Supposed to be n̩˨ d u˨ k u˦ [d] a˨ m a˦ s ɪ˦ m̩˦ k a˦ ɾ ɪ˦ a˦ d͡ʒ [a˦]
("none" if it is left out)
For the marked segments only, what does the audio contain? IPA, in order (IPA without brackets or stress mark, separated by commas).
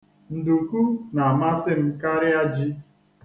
n, i˦